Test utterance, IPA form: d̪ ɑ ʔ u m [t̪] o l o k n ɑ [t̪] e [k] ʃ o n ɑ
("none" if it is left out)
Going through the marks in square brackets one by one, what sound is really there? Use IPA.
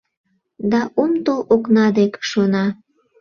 t̪, d̪, k

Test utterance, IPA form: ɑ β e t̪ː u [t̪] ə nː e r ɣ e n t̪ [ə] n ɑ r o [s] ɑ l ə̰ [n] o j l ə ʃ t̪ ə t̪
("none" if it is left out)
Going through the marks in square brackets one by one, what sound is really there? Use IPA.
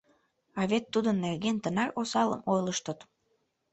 d̪, ə, s, m

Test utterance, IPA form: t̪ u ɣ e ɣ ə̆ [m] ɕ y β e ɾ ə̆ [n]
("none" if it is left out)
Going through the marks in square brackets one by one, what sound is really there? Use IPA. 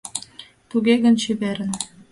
n, n

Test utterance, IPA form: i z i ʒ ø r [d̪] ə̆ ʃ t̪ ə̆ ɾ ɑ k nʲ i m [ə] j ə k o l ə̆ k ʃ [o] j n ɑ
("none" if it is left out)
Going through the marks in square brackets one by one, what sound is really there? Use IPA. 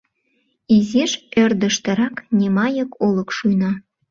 d̪, ɑ, u

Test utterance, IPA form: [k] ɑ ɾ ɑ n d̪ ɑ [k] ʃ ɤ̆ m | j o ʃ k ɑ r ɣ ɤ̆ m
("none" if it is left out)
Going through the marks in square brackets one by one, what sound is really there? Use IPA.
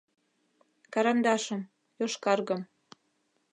k, none

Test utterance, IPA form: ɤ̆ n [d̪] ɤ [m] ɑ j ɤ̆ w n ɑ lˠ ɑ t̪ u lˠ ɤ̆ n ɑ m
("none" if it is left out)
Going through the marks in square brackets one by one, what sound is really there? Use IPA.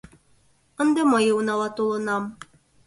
d̪, m

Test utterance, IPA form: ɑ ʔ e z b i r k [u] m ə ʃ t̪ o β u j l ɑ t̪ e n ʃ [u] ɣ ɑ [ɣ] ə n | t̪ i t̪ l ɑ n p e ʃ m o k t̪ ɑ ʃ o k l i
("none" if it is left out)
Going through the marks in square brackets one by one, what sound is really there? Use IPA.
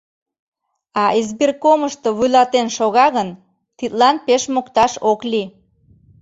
o, o, ɣ

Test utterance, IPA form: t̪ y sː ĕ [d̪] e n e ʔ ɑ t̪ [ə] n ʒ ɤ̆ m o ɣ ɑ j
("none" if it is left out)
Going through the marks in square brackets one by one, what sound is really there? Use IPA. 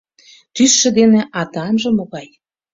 d̪, ɑ

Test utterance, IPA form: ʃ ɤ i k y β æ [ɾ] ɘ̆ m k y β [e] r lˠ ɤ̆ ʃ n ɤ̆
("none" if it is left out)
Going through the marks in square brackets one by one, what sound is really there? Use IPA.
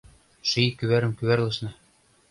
ɾ, æ

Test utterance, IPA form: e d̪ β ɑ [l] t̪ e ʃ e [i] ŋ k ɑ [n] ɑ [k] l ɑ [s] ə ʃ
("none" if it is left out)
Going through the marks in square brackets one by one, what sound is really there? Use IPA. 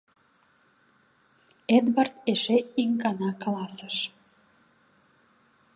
r, i, n, k, s

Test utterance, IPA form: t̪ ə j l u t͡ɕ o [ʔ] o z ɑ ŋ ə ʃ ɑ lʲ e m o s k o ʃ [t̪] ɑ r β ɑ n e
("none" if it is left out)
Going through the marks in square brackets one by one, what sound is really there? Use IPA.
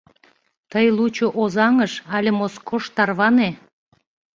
ʔ, t̪

